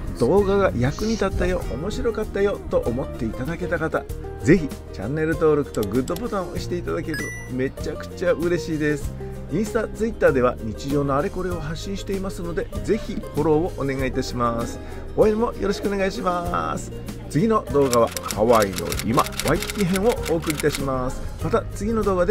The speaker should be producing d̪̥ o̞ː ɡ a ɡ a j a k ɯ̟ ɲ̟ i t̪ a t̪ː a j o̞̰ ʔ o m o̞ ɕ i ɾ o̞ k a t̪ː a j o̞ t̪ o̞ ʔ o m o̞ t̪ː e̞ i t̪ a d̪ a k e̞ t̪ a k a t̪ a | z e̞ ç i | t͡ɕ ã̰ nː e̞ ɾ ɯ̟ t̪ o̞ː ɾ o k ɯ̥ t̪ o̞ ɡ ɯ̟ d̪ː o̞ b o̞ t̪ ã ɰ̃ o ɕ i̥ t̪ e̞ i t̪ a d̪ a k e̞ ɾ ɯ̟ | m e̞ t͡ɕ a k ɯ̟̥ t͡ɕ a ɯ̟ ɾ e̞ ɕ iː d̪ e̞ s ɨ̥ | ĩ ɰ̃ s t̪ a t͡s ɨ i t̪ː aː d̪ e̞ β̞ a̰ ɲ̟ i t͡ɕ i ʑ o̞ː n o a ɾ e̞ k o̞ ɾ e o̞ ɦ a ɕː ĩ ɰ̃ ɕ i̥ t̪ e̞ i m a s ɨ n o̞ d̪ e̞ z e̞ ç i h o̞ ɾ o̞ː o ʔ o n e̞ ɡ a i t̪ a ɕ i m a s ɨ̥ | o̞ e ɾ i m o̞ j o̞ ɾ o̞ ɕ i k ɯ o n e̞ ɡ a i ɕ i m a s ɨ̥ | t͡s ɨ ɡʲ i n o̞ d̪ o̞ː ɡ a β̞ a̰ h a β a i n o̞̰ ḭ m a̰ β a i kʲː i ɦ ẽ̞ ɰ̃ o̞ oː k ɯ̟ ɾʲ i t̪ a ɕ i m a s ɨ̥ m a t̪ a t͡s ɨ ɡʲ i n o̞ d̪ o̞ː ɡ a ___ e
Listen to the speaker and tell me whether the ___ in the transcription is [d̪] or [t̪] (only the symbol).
d̪